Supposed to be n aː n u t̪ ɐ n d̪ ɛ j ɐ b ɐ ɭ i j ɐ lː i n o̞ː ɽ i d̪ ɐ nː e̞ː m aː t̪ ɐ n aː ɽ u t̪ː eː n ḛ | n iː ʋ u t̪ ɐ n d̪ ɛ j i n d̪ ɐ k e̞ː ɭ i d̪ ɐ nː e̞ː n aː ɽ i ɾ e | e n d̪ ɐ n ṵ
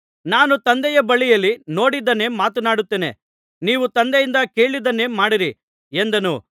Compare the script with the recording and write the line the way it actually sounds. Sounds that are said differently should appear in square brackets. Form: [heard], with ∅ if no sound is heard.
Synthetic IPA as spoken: n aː n u t̪ ɐ n d̪ ɛ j ɐ b ɐ ɭ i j ɐ lː i n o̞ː ɽ i d̪ ɐ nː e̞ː m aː t̪ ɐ n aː ɽ u t̪ː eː n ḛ | n iː ʋ u t̪ ɐ n d̪ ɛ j i n d̪ ɐ k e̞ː ɭ i d̪ ɐ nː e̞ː [m] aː ɽ i ɾ [i] | e n d̪ ɐ n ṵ